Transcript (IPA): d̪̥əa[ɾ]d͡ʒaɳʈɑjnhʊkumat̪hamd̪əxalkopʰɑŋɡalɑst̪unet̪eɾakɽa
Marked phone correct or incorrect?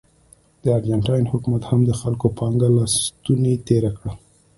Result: correct